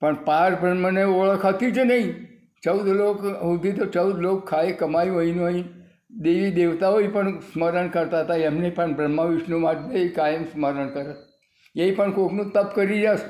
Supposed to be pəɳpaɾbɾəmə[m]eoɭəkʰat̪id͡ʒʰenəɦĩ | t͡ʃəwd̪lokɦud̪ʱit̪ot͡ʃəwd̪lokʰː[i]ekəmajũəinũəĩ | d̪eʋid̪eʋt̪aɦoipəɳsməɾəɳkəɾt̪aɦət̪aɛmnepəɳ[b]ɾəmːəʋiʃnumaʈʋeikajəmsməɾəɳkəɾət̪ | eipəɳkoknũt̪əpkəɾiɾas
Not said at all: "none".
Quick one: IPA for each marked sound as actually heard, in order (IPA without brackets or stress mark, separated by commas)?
n, a, b